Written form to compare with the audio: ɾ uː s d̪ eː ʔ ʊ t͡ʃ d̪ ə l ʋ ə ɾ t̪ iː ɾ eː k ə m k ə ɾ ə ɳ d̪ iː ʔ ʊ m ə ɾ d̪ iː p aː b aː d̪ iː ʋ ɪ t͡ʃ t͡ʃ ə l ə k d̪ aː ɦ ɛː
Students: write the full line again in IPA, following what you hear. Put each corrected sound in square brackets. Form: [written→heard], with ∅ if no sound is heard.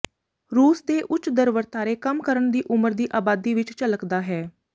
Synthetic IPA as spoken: ɾ uː s d̪ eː ʔ ʊ t͡ʃ d̪ ə [l→ɾ] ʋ ə ɾ t̪ [iː→aː] ɾ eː k ə m k ə ɾ ə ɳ d̪ iː ʔ ʊ m ə ɾ d̪ iː [p→ʔ] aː b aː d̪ iː ʋ ɪ t͡ʃ t͡ʃ ə l ə k d̪ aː ɦ ɛː